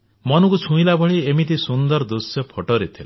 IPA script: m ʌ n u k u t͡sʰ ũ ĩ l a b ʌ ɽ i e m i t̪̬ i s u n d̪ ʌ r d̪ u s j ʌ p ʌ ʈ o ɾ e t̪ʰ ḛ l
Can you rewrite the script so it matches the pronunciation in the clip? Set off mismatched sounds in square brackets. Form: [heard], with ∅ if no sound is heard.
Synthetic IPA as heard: m ʌ n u k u t͡sʰ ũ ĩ l a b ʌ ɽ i e m i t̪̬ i s u n d̪ ʌ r d̪ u s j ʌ [pʰ] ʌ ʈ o ɾ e t̪ʰ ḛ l